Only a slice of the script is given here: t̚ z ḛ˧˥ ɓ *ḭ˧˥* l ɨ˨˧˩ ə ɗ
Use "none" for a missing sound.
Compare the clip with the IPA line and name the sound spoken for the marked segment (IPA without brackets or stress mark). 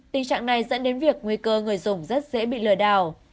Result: ḭ˧˨